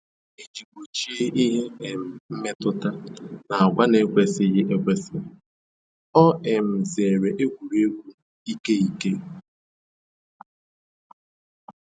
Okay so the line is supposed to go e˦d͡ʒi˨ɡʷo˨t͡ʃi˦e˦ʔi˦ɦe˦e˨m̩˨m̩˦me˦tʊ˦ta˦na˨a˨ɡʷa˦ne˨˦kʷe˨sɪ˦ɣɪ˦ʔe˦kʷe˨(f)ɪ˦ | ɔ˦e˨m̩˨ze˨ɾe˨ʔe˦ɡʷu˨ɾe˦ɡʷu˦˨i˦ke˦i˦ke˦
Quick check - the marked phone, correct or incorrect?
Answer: incorrect